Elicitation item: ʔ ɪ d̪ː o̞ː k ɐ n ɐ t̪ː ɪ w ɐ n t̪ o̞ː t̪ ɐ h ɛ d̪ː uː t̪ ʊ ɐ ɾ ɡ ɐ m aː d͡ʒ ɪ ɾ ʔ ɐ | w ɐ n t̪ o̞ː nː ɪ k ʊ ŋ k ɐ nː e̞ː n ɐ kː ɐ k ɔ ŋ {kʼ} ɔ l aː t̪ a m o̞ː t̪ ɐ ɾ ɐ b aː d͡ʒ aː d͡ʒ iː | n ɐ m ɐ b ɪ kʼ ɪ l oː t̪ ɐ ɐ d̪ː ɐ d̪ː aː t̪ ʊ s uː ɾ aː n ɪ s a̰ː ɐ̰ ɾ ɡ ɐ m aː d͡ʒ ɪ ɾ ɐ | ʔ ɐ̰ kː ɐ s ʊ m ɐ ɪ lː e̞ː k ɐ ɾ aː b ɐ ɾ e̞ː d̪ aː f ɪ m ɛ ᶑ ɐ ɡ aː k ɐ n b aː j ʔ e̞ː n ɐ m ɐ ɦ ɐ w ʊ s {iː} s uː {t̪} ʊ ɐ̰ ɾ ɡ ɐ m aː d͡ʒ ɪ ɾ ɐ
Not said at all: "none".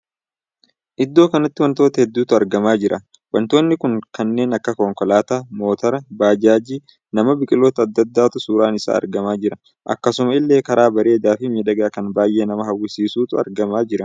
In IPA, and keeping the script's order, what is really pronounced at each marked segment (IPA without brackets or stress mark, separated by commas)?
k, iː, t̪